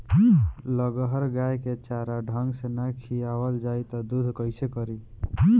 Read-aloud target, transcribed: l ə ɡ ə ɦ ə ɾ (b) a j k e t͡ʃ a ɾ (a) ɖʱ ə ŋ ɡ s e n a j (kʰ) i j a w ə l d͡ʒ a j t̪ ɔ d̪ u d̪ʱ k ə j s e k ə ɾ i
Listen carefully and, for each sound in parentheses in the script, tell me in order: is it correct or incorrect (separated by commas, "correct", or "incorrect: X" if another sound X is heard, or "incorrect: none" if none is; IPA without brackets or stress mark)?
incorrect: ɡ, correct, correct